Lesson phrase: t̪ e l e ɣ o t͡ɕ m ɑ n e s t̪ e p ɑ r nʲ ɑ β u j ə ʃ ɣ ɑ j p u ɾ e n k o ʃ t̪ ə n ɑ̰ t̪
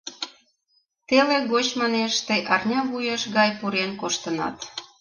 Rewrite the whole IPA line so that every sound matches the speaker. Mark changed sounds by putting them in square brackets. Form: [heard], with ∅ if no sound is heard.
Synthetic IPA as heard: t̪ e l e ɣ o t͡ɕ m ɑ n e [ʃ] t̪ e [ʔ] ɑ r nʲ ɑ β u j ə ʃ ɣ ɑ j p u ɾ e n k o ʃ t̪ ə n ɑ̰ t̪

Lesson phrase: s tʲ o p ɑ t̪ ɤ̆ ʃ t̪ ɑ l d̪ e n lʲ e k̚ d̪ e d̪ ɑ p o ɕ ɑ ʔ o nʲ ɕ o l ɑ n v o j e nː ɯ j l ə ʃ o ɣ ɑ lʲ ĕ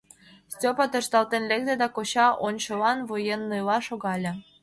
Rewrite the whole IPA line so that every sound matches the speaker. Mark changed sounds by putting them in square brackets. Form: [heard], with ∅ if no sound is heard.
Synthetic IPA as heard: s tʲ o p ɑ t̪ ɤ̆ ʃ t̪ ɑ l [t̪] e n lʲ e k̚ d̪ e d̪ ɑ [k] o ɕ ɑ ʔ o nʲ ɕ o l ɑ n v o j e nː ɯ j l [ɑ] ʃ o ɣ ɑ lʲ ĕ

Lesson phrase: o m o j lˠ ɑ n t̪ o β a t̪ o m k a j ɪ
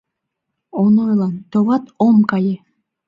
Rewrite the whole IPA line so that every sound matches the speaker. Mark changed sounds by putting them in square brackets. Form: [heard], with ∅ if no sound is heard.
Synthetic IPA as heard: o [n] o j lˠ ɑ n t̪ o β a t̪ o m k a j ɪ

